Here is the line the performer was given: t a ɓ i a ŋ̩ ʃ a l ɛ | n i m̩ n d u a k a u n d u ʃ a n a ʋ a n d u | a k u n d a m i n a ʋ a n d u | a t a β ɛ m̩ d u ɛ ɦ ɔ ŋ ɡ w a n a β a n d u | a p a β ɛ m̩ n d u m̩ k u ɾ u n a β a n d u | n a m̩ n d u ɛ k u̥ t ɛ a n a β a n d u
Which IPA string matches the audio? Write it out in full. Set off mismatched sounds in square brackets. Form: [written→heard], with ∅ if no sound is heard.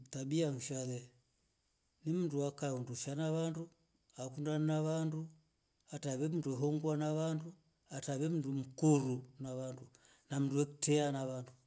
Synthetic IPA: t a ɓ i a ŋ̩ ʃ a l ɛ | n i m̩ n d u a k a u n d u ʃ a n a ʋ a n d u | a k u n d a [m→n] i n a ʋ a n d u | a t a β ɛ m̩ d u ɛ ɦ ɔ ŋ ɡ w a n a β a n d u | a [p→t] a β ɛ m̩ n d u m̩ k u ɾ u n a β a n d u | n a m̩ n d u ɛ k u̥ t ɛ a n a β a n d u

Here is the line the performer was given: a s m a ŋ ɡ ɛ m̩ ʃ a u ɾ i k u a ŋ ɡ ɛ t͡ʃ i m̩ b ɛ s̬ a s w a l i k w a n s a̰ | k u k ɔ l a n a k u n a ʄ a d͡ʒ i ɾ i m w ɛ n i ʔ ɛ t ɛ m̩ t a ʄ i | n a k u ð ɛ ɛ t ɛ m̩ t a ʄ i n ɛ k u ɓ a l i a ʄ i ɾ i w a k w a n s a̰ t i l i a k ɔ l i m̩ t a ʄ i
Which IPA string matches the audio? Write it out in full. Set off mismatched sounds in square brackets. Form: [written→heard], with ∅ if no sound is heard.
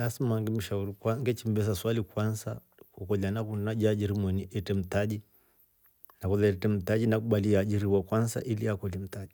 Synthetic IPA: a s m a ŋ ɡ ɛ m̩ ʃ a u ɾ i k [u→w] a ŋ ɡ ɛ t͡ʃ i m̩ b ɛ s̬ a s w a l i k w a n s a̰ | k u k ɔ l a n a k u n a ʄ a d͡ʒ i ɾ i m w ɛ n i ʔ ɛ t ɛ m̩ t a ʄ i | n a k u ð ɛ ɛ t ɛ m̩ t a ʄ i n [ɛ→a] k u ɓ a l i a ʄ i ɾ i w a k w a n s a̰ [t→ʔ] i l i a k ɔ l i m̩ t a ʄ i

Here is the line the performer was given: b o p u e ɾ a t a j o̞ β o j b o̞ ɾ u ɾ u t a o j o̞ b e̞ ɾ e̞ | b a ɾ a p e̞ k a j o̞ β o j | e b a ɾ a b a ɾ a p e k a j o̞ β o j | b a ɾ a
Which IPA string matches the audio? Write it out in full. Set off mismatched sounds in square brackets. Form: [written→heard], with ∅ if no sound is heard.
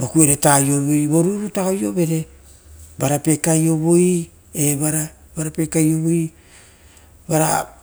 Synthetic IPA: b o [p→k] u e ɾ [a→e] t a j o̞ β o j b o̞ ɾ u ɾ u t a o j o̞ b e̞ ɾ e̞ | b a ɾ a p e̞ k a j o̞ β o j | e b a ɾ a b a ɾ a p e k a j o̞ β o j | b a ɾ a

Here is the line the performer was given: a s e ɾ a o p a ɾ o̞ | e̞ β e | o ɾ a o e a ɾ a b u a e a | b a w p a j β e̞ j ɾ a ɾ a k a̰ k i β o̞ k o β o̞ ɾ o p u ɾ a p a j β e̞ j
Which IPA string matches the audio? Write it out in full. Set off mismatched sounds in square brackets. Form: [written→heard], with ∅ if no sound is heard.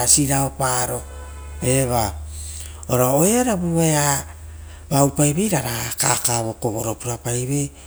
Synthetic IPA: a s [e→i] ɾ a o p a ɾ o̞ | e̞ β [e→a] | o ɾ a o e a ɾ a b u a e a | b a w p a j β e̞ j ɾ a ɾ a k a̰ k [i→a] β o̞ k o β o̞ ɾ o p u ɾ a p a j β e̞ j

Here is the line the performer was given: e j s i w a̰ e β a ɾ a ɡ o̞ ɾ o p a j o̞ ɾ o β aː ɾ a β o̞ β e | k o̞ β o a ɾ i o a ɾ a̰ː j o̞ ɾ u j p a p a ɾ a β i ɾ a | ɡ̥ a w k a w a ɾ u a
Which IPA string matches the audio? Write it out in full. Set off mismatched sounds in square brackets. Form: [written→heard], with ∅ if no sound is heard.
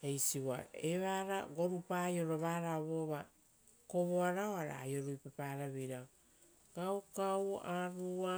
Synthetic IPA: e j s i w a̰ e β a ɾ a ɡ o̞ ɾ [o→u] p a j o̞ ɾ o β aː ɾ a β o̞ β [e→a] | k o̞ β o a ɾ [i→a] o a ɾ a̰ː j o̞ ɾ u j p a p a ɾ a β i ɾ a | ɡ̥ a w k a w a ɾ u a

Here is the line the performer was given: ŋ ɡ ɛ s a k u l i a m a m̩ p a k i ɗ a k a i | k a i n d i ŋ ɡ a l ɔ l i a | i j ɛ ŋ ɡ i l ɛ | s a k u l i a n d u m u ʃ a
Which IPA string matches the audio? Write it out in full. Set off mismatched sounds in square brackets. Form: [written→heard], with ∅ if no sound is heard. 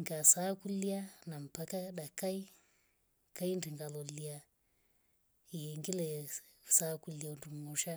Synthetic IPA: ŋ ɡ [ɛ→a] s a k u l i a [m→n] a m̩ p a k [i→a] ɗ a k a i | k a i n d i ŋ ɡ a l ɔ l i a | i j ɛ ŋ ɡ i l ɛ | s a k u l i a n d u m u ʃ a

